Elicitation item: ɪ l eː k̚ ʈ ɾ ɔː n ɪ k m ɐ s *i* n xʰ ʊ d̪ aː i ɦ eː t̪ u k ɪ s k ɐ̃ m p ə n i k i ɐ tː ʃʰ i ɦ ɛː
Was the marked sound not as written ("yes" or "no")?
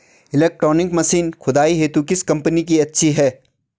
yes